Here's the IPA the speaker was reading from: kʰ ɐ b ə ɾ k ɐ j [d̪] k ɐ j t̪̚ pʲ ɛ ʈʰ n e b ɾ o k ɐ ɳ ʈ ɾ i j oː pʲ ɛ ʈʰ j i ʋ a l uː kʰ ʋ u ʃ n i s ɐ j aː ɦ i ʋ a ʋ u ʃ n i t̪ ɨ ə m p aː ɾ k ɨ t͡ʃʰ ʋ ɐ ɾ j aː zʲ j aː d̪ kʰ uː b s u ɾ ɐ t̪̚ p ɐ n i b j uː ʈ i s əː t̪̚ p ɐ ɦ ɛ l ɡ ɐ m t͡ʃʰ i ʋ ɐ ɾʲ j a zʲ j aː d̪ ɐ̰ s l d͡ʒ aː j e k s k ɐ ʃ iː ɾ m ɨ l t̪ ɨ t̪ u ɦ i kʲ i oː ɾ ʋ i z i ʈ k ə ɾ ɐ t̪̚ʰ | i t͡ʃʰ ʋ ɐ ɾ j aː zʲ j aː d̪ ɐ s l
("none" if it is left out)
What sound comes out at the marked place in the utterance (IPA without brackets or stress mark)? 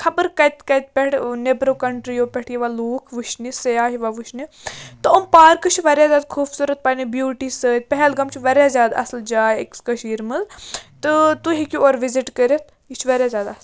t̪